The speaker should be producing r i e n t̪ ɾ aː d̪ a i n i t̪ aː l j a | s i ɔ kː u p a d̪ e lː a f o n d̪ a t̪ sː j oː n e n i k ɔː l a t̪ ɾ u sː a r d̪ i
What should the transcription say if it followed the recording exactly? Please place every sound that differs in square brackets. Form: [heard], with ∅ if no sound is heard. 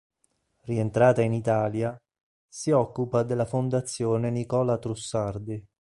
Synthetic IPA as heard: r i e n t̪ ɾ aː [t̪] a i n i t̪ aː l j a | s i ɔ kː u p a d̪ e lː a f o n d̪ a t̪ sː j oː n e n i k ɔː l a t̪ ɾ u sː a r d̪ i

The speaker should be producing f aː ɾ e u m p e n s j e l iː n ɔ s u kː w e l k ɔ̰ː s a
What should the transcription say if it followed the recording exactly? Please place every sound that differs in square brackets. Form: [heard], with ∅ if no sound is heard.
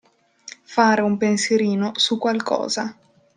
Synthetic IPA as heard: f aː ɾ e u m p e n s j e [ɾ] iː n [o] s u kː w [a] l k ɔ̰ː [z] a

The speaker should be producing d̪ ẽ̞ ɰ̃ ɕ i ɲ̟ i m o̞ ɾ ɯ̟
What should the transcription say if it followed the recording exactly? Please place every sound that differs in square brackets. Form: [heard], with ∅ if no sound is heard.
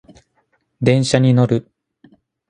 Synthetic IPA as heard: d̪ ẽ̞ ɰ̃ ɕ [a] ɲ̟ i [n] o̞ ɾ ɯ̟

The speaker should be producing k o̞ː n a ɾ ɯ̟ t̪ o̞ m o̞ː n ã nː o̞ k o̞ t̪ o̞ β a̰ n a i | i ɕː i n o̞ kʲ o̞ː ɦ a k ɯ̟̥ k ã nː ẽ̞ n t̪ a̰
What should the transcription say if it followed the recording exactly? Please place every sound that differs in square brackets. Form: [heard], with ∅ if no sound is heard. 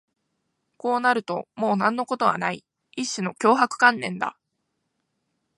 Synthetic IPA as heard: k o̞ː n a ɾ ɯ̟ t̪ o̞ m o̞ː n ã nː o̞ k o̞ t̪ o̞ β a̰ n a i | i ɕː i n o̞ kʲ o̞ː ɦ a k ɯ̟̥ k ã nː ẽ̞ n [d̪] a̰

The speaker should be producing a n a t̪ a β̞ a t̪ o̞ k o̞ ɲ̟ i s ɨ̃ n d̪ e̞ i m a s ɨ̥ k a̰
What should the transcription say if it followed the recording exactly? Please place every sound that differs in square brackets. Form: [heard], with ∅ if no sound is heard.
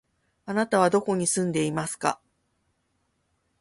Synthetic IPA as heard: a n a t̪ a β̞ a [d̪] o̞ k o̞ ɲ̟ i s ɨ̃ n d̪ e̞ i m a s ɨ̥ k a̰

